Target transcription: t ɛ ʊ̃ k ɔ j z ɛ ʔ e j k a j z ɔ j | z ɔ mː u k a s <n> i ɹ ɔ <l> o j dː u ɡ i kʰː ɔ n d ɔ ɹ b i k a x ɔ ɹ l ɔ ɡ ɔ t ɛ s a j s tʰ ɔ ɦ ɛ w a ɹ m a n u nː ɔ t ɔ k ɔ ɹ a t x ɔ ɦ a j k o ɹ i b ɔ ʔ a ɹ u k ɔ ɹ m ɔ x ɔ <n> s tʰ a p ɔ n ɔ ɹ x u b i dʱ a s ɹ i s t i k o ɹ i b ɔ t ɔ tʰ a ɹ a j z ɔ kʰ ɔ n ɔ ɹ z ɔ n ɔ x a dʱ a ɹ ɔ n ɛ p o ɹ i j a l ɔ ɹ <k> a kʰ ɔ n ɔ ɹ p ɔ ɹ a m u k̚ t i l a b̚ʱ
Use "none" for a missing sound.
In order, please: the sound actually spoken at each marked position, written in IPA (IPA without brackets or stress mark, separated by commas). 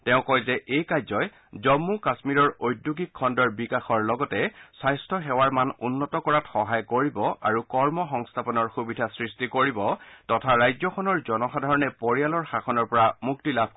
m, ɹ, ŋ, x